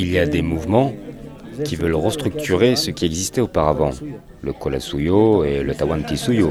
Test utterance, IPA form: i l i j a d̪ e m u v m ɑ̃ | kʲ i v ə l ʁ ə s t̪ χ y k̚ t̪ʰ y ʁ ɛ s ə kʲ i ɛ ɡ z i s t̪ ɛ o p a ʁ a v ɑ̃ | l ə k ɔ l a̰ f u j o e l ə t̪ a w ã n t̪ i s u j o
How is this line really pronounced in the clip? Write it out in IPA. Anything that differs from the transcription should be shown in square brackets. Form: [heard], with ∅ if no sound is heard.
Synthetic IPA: i l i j a d̪ e m u v m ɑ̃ | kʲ i v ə l ʁ ə s t̪ χ y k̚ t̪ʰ y ʁ [e] s ə kʲ i ɛ ɡ z i s t̪ ɛ o p a ʁ a v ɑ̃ | l ə k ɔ l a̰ [s] u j o e l ə t̪ a w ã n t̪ i s u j o